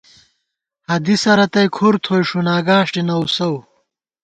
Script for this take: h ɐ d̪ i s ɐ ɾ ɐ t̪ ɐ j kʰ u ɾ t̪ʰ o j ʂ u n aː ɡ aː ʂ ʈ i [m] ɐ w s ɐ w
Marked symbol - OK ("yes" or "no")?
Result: no